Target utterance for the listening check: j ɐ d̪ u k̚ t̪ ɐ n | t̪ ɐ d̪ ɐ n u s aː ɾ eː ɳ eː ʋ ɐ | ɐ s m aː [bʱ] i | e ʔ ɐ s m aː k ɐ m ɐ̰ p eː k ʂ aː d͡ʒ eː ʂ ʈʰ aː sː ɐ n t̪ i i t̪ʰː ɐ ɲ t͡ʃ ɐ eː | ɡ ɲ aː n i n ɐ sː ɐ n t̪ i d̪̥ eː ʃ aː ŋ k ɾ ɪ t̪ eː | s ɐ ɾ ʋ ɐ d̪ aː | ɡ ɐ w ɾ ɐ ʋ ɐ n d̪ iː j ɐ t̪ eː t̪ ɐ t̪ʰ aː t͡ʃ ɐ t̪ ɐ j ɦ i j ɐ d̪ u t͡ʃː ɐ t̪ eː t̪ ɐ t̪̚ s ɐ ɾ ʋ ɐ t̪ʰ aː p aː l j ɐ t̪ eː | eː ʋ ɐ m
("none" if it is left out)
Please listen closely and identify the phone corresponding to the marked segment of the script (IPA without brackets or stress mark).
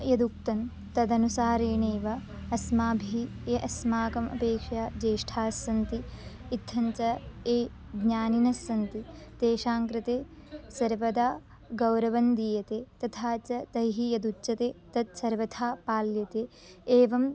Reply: bʱ